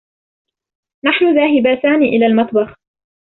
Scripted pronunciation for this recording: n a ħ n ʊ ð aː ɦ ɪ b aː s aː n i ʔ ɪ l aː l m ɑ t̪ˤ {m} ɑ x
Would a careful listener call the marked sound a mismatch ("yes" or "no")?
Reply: yes